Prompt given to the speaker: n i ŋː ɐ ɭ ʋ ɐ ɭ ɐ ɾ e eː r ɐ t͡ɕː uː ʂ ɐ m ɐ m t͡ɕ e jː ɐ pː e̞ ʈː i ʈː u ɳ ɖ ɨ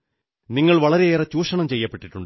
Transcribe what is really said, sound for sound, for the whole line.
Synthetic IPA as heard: n i ŋː ɐ ɭ ʋ ɐ ɭ ɐ ɾ e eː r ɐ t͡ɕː uː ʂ ɐ ɳ ɐ m t͡ɕ e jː ɐ pː e̞ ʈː i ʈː u ɳ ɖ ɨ